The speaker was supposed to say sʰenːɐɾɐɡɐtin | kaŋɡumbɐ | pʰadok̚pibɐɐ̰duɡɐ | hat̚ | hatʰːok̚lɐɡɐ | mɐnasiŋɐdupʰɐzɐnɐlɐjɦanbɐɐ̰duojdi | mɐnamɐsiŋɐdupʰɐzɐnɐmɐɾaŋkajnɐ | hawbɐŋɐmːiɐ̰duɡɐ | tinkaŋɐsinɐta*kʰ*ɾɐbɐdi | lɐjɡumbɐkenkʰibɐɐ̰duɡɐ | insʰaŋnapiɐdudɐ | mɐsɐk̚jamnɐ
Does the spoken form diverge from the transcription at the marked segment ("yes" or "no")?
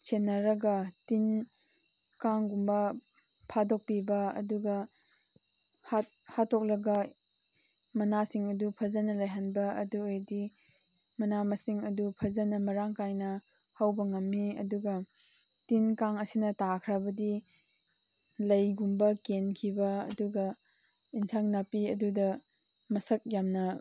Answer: no